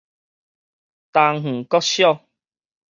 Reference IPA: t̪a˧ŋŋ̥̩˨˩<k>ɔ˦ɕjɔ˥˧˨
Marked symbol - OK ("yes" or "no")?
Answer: yes